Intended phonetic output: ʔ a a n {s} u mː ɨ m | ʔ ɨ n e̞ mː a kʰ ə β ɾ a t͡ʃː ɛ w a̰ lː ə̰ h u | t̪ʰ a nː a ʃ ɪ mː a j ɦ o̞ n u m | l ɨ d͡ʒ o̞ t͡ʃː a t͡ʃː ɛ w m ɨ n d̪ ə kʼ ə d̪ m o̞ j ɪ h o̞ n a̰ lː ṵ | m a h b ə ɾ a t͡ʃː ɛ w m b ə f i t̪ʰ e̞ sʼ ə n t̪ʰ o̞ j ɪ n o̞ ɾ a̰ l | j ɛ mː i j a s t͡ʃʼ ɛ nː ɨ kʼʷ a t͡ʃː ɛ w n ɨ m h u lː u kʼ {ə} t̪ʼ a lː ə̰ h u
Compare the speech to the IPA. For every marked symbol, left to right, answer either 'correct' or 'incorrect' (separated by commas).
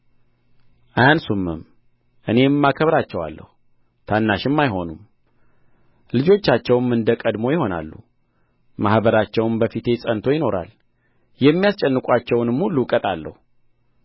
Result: correct, correct